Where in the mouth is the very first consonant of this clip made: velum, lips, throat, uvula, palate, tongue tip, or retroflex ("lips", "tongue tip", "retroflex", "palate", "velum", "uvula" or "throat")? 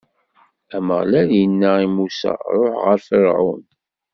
lips